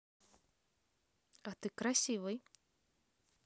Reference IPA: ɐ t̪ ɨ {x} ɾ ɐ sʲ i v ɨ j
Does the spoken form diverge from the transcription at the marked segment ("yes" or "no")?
yes